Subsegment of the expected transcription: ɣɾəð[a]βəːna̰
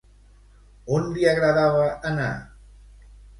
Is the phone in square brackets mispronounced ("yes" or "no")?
no